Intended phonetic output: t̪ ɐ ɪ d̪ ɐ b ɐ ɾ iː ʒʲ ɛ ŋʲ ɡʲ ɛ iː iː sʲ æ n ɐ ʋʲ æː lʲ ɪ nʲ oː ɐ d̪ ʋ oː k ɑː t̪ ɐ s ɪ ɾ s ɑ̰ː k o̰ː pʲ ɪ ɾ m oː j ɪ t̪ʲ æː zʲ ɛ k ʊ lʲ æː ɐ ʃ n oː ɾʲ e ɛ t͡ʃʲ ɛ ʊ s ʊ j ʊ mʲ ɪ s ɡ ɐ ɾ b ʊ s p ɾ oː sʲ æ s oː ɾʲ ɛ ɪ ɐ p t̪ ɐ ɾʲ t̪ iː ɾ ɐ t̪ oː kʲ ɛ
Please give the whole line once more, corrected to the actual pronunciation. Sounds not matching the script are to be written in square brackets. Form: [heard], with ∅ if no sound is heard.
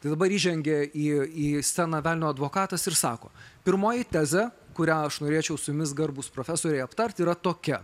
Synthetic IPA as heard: t̪ ɐ ɪ d̪ ɐ b ɐ ɾ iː ʒʲ ɛ ŋʲ ɡʲ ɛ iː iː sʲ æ n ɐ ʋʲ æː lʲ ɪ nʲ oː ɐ d̪ ʋ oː k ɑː t̪ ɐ s ɪ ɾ s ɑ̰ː k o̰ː pʲ ɪ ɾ m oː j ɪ t̪ʲ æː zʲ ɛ k ʊ [ɾʲ] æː ɐ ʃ n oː ɾʲ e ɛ t͡ʃʲ ɛ ʊ s ʊ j ʊ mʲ ɪ s ɡ ɐ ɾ b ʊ s p ɾ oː [fʲ] æ s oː ɾʲ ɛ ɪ ɐ p t̪ ɐ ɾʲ t̪ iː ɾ ɐ t̪ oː kʲ ɛ